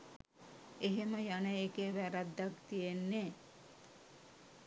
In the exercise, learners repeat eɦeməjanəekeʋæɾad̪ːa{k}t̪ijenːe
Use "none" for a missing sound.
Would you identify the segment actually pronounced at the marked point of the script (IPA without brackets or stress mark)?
k